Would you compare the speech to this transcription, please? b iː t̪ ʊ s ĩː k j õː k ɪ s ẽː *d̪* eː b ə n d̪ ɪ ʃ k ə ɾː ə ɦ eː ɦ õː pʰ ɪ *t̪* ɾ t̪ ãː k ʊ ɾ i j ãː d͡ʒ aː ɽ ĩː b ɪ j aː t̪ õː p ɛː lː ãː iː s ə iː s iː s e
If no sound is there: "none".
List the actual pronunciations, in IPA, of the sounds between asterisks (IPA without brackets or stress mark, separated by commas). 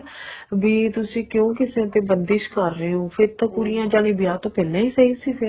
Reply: t̪, none